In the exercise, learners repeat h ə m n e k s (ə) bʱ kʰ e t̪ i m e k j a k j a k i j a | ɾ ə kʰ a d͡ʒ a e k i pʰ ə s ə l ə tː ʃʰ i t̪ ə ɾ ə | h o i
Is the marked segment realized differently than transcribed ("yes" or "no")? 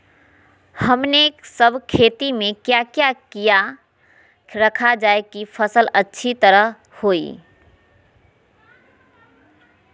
no